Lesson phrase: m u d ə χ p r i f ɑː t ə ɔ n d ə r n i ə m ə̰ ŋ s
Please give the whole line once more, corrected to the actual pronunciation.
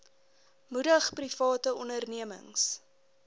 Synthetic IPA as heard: m u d ə χ p r i f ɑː t ə ɔ n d ə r n i ə m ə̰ ŋ s